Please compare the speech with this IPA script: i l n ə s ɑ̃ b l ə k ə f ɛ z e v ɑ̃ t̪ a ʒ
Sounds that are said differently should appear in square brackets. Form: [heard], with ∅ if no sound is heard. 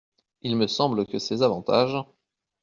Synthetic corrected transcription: i l [m] ə s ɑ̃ b l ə k ə [s] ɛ z [a] v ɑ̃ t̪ a ʒ